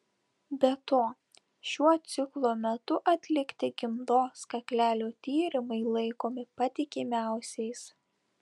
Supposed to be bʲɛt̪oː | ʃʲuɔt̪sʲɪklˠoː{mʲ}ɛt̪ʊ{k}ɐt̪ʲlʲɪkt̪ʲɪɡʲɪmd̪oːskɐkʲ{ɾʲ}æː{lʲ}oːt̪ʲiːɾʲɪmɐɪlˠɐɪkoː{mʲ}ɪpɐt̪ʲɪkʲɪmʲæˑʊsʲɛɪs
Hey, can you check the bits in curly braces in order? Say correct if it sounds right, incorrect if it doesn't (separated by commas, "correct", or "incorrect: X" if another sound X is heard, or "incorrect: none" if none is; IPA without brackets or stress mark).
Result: correct, incorrect: ʔ, incorrect: lʲ, correct, correct